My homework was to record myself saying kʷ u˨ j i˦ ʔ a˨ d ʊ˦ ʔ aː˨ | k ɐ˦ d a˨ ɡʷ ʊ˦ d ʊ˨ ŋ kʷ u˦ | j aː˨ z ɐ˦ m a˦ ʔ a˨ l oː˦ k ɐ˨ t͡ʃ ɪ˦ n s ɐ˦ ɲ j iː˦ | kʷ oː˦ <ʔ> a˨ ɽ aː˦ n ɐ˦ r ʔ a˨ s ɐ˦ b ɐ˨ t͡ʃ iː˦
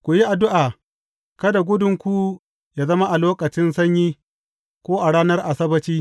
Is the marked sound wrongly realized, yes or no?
no